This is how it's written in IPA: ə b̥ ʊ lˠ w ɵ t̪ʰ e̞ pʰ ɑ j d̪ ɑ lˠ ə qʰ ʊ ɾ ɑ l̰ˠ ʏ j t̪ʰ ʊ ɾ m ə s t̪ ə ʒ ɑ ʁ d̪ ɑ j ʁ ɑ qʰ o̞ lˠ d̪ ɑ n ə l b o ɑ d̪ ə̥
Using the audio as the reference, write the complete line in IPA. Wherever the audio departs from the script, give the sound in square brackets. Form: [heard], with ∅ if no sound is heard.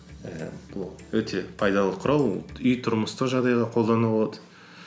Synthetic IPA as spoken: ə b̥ ʊ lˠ w ɵ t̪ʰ e̞ pʰ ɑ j d̪ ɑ lˠ ə qʰ ʊ ɾ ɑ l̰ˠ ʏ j t̪ʰ ʊ ɾ m ə s t̪ ə ʒ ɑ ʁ d̪ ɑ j ʁ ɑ qʰ o̞ lˠ d̪ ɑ n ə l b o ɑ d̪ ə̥